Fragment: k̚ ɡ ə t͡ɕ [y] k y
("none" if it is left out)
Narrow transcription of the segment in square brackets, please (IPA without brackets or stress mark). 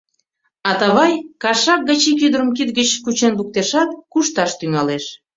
i